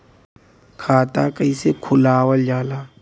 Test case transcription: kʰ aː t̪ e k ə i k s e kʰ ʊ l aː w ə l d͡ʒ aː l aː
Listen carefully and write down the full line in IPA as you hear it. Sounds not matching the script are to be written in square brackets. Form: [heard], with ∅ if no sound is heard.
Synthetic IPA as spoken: kʰ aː t̪ [a] k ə i [∅] s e kʰ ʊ l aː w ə l d͡ʒ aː l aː